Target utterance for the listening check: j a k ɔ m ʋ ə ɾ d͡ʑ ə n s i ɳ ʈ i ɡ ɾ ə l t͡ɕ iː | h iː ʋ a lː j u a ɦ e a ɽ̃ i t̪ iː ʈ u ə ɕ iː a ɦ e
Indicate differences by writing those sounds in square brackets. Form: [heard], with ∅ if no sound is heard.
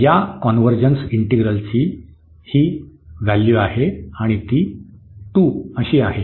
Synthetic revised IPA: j a k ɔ [n] ʋ ə ɾ d͡ʑ ə n s i ɳ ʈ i ɡ ɾ ə l t͡ɕ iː | h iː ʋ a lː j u a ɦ e a ɽ̃ i t̪ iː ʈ u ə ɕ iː a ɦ e

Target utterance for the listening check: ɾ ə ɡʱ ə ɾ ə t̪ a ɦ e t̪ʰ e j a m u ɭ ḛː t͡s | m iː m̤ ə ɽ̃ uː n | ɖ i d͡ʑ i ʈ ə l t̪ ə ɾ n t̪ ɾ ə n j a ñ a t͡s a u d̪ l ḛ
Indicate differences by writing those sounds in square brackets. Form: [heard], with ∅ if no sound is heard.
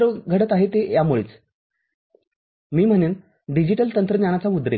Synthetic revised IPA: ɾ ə ɡʱ ə [ɽ] ə t̪ a ɦ e [t̪] e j a m u ɭ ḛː t͡s | m iː m̤ ə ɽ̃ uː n | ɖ i d͡ʑ i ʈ ə l t̪ ə [∅] n t̪ ɾ ə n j a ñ a t͡s a u d̪ [ɾ] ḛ

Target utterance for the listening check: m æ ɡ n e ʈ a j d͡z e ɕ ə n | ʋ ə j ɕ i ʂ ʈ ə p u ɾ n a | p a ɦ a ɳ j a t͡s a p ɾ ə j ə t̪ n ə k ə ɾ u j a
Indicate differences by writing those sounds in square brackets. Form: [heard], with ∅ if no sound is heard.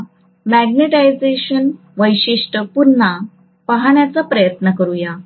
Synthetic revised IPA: m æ ɡ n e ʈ a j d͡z e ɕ ə n | ʋ ə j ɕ i ʂ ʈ ə p u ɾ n a | p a ɦ a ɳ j a t͡s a p ɾ ə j ə t̪ n ə k ə ɾ u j a

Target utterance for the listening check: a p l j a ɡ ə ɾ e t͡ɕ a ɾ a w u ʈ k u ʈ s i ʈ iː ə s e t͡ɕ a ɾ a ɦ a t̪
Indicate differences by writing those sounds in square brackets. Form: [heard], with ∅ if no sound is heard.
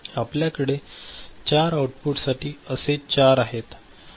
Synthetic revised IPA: a p l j a [k] ə [ɽ] e t͡ɕ a ɾ a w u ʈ [p] u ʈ s [a] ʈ iː ə s e t͡ɕ a ɾ a ɦ [e] t̪

